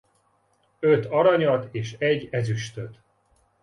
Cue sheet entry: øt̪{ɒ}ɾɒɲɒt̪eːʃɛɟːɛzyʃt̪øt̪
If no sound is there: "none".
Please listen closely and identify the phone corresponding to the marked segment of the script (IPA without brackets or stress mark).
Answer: ɒ